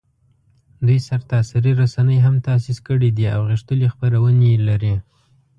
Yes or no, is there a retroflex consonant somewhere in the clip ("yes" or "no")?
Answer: yes